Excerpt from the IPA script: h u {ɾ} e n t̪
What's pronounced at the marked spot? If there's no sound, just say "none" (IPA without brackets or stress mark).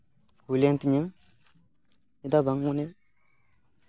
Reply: l